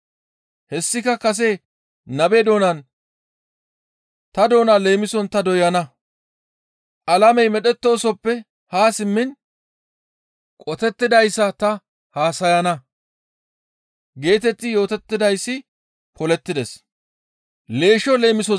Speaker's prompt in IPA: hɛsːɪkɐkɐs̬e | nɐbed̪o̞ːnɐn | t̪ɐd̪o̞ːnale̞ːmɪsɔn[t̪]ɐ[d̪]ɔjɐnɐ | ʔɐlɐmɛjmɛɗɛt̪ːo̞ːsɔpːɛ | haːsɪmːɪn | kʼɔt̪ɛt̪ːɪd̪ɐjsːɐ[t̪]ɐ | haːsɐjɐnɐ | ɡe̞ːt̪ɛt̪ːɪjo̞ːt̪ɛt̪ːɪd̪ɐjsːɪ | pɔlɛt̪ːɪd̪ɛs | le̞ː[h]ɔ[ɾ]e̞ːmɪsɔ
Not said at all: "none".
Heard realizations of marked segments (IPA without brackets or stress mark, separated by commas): t̪, d̪, t̪, ʃ, l